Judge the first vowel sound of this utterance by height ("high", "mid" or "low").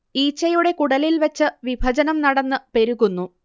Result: high